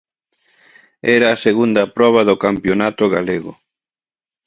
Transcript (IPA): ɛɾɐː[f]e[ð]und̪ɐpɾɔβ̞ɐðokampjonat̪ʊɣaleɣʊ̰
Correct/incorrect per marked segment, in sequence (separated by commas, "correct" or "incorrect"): incorrect, incorrect